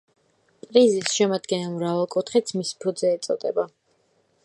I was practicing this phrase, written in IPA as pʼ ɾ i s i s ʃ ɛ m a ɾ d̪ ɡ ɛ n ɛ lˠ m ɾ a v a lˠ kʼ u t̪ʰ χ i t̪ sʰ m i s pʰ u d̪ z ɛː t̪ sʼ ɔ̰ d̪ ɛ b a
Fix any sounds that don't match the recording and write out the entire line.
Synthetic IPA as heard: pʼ ɾ i z i s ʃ ɛ m a d̪ ɡ ɛ n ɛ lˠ m ɾ a v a lˠ kʼ u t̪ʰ χ i t̪ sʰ m i s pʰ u d̪ z ɛː t̪ sʼ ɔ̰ d̪ ɛ b a